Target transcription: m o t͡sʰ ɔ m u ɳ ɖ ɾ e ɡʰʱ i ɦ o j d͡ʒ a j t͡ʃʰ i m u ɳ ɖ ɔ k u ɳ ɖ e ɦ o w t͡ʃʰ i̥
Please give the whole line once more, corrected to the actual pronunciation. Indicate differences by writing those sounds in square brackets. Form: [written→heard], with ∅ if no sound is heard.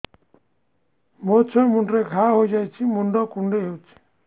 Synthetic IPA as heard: m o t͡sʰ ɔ m u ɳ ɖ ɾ e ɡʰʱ [i→a] ɦ o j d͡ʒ a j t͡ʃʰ i m u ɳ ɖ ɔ k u ɳ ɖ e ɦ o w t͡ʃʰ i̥

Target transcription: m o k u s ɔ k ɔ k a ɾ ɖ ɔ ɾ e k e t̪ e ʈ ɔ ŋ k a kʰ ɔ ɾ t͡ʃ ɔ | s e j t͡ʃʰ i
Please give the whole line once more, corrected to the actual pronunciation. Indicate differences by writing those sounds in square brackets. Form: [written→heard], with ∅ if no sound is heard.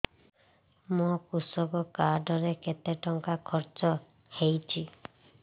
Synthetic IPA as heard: m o k u s ɔ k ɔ k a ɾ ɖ ɔ ɾ e k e t̪ e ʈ ɔ ŋ k a kʰ ɔ ɾ t͡ʃ ɔ | [s→h] e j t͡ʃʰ i

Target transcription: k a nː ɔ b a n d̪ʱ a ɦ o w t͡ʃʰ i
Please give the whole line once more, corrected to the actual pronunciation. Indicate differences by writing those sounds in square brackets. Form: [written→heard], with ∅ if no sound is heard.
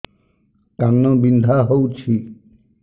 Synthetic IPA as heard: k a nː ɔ b [a→i] n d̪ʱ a ɦ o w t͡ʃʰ i

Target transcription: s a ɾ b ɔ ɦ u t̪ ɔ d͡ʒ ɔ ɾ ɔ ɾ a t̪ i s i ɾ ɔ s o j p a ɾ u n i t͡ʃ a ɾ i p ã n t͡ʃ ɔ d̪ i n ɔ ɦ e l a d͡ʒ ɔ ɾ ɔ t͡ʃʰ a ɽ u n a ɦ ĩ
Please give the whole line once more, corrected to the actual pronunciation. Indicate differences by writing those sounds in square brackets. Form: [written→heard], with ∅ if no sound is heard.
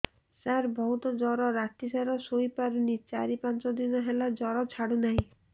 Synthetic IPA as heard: s a ɾ b ɔ ɦ u t̪ ɔ d͡ʒ ɔ ɾ ɔ ɾ a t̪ i s [i→a] ɾ ɔ s o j p a ɾ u n i t͡ʃ a ɾ i p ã n t͡ʃ ɔ d̪ i n ɔ ɦ e l a d͡ʒ ɔ ɾ ɔ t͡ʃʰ a ɽ u n a ɦ ĩ

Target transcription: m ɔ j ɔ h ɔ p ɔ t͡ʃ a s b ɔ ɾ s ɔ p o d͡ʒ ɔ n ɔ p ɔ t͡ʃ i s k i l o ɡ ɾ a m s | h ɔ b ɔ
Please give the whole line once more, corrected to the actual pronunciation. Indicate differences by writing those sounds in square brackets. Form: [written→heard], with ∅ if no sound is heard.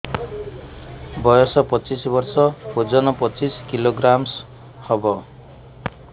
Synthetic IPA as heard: [m→b] ɔ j ɔ [h→s] ɔ p ɔ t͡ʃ [a→i] s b ɔ ɾ s ɔ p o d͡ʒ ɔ n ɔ p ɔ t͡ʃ i s k i l o ɡ ɾ a m s | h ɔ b ɔ

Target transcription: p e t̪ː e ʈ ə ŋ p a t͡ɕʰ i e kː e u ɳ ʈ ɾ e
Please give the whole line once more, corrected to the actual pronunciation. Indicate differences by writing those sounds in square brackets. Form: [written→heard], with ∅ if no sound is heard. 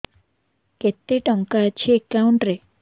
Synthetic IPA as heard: [p→k] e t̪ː e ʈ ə ŋ [p→k] a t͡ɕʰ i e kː [e→a] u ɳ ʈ ɾ e

